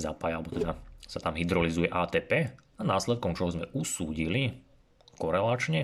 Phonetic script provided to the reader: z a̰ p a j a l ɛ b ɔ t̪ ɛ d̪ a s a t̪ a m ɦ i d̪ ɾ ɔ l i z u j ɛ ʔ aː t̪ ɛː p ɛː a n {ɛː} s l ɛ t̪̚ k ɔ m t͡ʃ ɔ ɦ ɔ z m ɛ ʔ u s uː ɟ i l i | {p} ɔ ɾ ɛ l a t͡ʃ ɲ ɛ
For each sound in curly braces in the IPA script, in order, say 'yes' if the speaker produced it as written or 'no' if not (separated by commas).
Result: no, no